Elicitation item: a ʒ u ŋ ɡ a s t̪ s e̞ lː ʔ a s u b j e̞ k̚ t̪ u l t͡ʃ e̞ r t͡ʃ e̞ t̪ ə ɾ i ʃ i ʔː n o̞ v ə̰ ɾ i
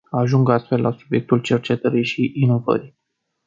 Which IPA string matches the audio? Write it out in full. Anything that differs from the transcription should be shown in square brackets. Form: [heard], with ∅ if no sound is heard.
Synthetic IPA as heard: a ʒ u ŋ ɡ a s t̪ [f] e̞ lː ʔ a s u b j e̞ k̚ t̪ u l t͡ʃ e̞ r t͡ʃ e̞ t̪ ə ɾ i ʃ i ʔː n o̞ v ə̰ ɾ i